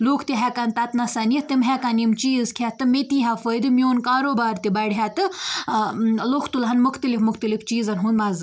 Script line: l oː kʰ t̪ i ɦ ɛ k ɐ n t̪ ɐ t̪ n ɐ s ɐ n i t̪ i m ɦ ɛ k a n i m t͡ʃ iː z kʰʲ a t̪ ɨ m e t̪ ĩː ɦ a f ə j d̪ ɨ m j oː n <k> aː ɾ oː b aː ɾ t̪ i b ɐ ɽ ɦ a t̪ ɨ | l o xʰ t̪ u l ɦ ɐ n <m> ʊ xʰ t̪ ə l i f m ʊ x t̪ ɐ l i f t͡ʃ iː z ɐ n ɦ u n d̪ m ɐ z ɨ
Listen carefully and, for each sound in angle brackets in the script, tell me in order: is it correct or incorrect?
correct, correct

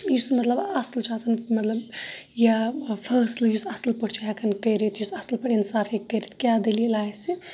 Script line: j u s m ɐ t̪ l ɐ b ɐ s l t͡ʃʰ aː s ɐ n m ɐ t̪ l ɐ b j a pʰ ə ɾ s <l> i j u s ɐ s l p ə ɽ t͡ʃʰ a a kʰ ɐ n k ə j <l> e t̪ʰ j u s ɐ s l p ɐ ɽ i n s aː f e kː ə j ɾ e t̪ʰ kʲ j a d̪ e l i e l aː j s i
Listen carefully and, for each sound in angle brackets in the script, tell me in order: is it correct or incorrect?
correct, incorrect

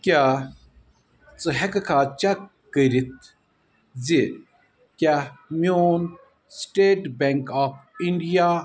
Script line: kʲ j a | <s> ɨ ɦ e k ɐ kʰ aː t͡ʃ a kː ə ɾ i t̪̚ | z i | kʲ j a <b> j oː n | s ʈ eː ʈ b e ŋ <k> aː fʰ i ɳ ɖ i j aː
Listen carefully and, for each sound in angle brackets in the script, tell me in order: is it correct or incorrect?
incorrect, incorrect, correct

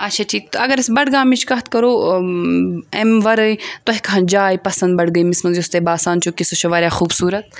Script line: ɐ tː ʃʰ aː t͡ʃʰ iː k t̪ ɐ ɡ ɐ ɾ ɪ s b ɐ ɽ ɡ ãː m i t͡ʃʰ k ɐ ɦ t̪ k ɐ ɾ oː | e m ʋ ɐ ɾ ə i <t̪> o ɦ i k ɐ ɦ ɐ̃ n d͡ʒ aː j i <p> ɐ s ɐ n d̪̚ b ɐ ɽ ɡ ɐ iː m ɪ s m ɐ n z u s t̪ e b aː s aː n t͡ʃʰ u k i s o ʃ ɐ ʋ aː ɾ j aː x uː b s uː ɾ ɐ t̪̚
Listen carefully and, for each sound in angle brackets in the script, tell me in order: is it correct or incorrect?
correct, correct

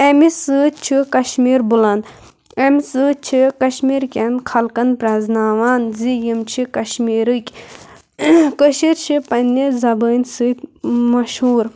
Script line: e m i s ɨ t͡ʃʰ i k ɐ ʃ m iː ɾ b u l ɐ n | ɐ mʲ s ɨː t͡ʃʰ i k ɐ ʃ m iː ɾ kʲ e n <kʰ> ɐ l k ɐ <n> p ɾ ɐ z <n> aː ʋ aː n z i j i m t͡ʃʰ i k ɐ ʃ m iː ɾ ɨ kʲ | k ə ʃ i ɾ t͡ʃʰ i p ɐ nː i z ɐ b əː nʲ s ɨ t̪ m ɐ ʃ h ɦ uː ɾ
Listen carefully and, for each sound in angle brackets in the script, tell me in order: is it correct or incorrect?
correct, correct, correct

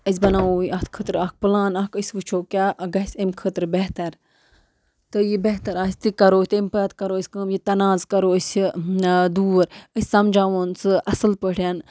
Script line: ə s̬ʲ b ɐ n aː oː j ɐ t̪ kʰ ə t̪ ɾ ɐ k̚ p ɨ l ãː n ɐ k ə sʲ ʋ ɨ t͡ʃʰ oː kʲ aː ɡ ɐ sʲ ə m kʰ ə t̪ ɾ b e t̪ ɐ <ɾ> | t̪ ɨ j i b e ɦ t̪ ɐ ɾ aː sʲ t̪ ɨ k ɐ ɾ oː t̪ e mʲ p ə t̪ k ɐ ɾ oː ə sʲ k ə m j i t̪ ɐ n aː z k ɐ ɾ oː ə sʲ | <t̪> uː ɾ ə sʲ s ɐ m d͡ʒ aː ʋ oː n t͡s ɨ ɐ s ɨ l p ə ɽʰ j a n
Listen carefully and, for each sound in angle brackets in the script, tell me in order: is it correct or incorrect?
correct, incorrect

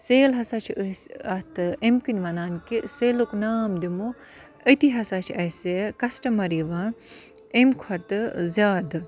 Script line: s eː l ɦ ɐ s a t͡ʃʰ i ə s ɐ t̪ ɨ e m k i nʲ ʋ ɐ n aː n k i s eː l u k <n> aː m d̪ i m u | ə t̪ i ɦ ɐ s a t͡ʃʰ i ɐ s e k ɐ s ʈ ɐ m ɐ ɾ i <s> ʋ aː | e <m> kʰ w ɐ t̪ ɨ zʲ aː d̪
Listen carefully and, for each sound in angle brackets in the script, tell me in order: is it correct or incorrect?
correct, incorrect, correct

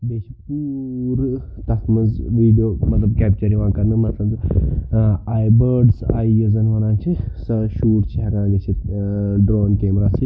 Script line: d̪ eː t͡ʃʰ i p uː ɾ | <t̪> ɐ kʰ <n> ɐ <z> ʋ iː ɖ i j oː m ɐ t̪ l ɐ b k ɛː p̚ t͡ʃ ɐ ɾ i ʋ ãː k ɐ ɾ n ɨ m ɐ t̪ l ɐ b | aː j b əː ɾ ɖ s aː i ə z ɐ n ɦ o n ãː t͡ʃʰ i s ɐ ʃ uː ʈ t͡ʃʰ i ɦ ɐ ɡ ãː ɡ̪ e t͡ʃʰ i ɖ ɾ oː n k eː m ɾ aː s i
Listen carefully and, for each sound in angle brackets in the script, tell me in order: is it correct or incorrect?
correct, incorrect, correct

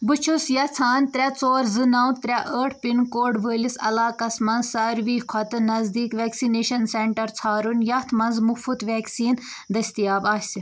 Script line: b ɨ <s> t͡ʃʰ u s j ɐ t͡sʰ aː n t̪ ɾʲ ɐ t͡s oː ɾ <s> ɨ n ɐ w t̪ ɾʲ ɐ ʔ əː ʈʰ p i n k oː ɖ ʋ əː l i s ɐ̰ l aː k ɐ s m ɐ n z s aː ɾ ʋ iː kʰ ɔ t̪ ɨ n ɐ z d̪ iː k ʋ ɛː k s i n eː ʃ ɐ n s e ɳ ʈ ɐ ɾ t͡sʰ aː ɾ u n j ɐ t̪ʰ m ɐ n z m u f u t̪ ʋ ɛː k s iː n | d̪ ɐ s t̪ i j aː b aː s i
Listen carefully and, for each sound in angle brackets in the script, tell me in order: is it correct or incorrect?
incorrect, incorrect

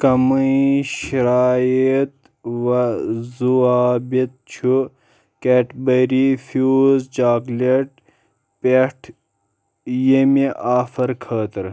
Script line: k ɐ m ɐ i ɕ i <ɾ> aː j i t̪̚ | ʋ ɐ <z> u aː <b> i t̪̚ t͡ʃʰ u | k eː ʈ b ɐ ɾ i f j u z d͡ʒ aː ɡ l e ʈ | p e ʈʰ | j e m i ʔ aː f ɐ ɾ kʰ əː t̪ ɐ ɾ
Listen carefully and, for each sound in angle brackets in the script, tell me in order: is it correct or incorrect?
correct, correct, correct

